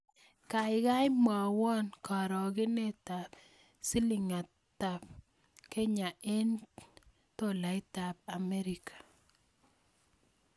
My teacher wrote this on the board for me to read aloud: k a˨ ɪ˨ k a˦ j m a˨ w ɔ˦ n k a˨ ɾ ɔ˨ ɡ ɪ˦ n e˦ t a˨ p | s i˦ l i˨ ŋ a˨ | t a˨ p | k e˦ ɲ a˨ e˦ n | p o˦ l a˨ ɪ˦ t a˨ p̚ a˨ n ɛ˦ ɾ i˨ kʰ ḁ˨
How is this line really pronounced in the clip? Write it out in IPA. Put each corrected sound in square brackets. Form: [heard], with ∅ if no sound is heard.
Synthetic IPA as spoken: k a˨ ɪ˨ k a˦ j m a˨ w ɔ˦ n k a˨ ɾ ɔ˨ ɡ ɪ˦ n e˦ t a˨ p | s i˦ l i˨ ŋ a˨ | t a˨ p | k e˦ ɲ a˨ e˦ n | [t] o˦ l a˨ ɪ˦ t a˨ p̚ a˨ [m] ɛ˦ ɾ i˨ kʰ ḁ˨

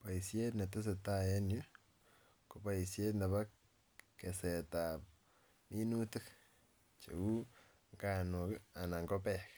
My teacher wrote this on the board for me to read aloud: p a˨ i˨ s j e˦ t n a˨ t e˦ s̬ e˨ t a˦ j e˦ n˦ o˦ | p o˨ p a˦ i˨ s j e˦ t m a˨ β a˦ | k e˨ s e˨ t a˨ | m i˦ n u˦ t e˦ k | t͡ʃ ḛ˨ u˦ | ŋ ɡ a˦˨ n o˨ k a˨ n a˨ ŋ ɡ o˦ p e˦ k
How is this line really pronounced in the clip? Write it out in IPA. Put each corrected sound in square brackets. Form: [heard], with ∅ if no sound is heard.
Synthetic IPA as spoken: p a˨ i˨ s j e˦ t n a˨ t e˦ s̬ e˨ t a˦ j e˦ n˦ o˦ | [k] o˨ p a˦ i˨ s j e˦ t [n] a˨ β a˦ | k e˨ s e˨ t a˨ | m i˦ n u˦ t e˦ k | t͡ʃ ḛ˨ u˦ | ŋ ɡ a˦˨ n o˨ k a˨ n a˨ ŋ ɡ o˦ p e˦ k

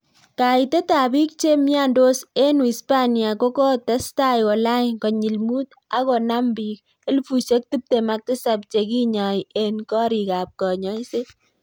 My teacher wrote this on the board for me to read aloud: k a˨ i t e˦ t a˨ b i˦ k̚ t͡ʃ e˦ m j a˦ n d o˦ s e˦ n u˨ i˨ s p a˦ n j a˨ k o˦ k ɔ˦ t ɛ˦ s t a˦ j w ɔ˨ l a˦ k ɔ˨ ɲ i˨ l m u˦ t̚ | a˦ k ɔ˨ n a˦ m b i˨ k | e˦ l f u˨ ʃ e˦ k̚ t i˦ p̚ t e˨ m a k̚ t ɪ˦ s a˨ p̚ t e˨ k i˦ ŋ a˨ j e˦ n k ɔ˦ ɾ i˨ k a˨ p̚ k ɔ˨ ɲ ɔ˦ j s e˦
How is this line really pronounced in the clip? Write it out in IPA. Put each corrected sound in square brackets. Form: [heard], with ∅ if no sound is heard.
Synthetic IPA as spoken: k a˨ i t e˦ t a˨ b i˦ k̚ t͡ʃ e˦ m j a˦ n d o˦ s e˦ n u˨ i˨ s p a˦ n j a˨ k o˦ k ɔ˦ t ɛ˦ s t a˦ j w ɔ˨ l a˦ k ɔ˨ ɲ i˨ l m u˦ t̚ | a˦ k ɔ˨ n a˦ m b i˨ k | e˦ l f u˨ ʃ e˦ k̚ t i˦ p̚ t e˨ m a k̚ t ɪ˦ s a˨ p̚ [t͡ʃ] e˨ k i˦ [ɲ] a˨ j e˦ n k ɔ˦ ɾ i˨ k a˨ p̚ k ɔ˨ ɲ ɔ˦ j s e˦

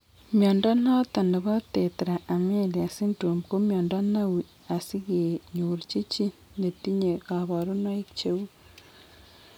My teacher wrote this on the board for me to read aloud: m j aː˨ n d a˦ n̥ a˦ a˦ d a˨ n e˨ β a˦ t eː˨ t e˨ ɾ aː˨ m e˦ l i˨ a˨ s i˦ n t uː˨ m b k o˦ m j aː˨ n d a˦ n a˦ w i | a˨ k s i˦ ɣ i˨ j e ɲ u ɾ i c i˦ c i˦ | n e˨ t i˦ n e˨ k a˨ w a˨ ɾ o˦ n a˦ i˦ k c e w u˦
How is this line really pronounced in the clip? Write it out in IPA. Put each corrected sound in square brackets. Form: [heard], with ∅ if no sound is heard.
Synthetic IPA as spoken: m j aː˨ n d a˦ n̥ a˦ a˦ [t] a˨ n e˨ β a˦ t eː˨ t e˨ ɾ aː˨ m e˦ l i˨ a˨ s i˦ n t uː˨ m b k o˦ m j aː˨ n d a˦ n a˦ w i | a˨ [∅] s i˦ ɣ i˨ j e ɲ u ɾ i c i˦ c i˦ | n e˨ t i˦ [ɲ] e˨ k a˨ [β] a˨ ɾ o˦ n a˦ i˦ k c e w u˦

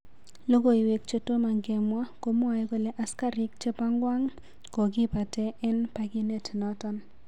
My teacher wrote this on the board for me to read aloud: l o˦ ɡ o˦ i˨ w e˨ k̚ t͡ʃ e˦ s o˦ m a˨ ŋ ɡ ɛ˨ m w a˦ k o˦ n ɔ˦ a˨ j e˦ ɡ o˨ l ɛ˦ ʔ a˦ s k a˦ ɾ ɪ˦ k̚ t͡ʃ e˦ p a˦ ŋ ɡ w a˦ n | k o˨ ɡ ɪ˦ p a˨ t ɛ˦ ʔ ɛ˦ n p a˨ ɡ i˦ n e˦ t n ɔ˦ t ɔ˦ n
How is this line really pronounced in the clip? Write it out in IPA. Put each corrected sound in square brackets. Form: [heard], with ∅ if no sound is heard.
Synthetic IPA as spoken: l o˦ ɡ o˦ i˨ w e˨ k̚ t͡ʃ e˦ [t] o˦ m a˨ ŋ ɡ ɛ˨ m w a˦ k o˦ [m] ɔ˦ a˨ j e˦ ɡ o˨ l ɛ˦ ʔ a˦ s k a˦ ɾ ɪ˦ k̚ t͡ʃ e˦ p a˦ ŋ ɡ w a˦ [ŋ] | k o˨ ɡ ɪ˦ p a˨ t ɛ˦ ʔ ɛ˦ n p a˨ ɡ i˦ n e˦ t n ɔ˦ t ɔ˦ n

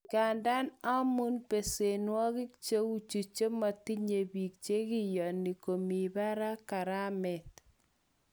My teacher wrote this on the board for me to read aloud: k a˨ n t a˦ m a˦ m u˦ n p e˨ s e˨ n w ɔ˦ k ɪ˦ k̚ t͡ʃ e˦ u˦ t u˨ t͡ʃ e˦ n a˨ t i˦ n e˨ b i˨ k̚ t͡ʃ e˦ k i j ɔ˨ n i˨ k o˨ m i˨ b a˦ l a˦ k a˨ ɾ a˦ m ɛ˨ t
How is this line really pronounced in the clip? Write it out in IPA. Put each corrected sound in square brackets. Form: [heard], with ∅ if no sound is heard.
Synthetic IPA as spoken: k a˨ n [d] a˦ [n] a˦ m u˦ n p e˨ s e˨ n w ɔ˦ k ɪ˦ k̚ t͡ʃ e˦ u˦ [t͡ʃ] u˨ t͡ʃ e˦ [m] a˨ t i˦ [ɲ] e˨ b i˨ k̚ t͡ʃ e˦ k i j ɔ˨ n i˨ k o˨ m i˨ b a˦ [ɾ] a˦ k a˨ ɾ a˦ m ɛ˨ t

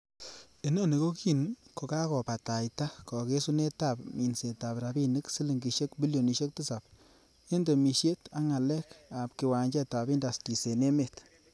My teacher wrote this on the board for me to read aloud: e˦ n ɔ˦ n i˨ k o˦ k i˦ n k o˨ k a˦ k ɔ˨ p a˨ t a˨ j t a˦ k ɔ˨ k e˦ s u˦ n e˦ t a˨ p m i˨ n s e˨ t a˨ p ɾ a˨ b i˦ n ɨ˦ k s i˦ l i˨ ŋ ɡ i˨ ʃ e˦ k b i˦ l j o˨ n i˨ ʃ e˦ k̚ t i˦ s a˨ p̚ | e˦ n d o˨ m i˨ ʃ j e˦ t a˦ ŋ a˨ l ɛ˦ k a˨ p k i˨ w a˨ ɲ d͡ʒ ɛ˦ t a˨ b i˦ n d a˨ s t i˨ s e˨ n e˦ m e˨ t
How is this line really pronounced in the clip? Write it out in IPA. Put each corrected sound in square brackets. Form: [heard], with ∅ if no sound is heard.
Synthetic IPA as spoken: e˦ n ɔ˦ n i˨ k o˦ k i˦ n k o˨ k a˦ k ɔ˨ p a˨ t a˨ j t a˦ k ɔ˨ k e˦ s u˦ n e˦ t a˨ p m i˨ n s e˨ t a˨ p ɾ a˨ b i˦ n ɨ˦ k s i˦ l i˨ ŋ ɡ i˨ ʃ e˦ k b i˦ l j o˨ n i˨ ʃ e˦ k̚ t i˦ s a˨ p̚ | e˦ n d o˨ m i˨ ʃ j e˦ t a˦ ŋ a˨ l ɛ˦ k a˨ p k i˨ w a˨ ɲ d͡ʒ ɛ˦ t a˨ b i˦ n d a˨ s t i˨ s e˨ n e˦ m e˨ t

